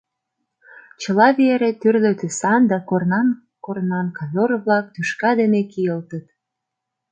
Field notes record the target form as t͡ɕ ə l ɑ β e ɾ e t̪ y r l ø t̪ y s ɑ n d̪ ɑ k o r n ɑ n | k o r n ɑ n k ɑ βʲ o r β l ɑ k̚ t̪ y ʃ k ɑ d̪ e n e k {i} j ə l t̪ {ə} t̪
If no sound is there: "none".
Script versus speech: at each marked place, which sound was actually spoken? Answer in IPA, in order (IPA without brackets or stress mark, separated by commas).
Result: i, ə